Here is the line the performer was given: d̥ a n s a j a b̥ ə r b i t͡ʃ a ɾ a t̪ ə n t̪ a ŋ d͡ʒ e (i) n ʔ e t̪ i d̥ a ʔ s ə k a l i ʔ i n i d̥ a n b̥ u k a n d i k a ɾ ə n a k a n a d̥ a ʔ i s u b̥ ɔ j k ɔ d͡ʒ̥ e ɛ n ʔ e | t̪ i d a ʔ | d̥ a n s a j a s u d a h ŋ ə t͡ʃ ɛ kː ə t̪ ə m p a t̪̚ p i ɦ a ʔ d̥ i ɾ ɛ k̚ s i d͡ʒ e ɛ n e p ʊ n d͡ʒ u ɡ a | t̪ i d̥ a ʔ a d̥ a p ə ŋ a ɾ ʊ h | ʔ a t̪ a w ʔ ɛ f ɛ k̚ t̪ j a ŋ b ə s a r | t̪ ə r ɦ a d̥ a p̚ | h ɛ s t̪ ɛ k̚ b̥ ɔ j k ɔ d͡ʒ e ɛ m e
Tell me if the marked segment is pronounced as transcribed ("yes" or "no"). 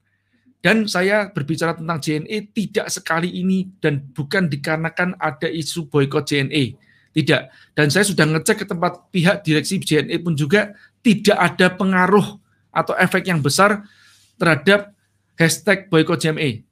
no